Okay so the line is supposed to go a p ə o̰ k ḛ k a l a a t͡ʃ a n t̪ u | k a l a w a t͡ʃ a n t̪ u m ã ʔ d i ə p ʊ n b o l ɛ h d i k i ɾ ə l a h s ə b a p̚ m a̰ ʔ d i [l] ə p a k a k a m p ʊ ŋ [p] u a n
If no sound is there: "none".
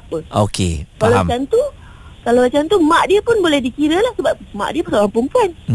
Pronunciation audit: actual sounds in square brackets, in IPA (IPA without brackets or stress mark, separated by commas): none, p